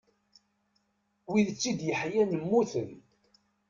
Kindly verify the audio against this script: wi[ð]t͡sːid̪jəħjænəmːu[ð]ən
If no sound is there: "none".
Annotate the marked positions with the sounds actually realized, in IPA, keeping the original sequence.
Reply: ð, θ

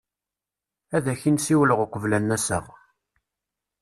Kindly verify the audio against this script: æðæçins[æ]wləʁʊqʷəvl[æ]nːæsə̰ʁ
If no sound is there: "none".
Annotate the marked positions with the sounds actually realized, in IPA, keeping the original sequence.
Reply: i, æ

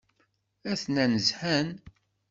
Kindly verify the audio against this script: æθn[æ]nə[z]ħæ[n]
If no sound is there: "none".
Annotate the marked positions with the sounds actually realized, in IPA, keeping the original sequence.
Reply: æ, z, n

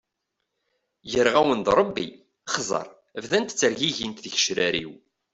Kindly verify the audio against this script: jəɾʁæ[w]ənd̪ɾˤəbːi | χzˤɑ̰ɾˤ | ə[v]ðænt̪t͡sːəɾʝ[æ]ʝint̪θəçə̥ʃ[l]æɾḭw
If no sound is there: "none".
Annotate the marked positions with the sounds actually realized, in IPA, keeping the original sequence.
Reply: w, v, i, ɾ

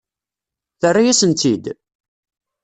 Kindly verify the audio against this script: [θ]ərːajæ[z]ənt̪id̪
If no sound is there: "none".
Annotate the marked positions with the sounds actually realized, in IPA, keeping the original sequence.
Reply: θ, s

